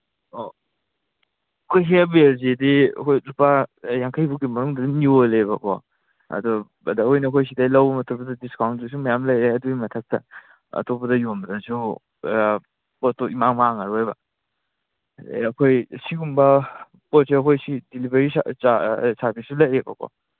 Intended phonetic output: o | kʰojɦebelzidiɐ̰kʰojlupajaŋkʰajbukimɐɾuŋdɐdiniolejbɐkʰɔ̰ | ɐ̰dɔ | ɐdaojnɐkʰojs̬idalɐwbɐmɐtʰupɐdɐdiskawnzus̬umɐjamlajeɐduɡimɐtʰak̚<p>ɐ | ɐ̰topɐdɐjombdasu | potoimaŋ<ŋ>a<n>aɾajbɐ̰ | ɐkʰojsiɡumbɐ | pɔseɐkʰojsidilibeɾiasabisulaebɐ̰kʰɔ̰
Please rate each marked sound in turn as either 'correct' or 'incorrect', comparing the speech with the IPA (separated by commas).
incorrect, incorrect, incorrect